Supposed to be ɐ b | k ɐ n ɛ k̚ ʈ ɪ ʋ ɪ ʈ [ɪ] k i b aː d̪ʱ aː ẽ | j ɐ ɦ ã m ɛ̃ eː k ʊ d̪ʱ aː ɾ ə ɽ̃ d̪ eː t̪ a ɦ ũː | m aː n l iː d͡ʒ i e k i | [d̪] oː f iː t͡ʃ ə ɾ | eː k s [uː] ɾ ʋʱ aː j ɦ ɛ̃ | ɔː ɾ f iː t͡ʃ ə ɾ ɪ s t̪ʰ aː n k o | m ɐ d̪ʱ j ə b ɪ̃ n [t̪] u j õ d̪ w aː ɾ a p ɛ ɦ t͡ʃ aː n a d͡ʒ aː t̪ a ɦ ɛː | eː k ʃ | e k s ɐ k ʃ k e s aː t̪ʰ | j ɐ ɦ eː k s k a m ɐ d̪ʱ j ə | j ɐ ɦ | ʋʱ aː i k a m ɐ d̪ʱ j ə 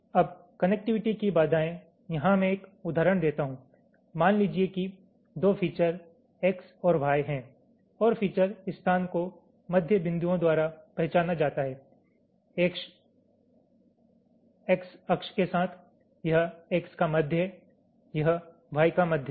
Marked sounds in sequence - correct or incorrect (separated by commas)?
incorrect, correct, incorrect, incorrect